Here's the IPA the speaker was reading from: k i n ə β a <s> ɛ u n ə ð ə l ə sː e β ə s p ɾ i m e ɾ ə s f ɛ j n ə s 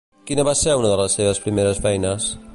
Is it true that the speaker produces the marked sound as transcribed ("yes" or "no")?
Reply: yes